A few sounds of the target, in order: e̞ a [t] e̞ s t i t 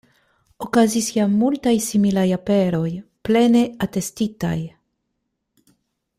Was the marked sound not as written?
no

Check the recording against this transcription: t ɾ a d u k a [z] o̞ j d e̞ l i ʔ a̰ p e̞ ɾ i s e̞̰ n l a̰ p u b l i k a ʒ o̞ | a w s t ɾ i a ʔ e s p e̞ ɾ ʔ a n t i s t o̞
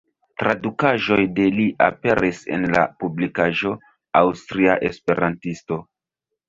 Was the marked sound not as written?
yes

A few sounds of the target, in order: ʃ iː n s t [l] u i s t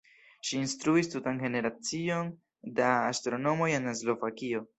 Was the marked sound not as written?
yes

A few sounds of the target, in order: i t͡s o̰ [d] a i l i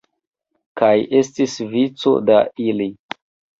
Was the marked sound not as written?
no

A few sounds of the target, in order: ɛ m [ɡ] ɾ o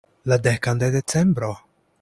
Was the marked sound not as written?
yes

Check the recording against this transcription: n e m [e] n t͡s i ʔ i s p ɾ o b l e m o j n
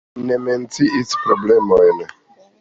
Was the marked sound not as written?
no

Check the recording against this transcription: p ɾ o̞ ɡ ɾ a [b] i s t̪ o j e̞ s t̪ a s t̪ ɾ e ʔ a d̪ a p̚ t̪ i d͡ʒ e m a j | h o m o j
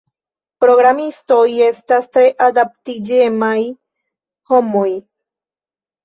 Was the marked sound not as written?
yes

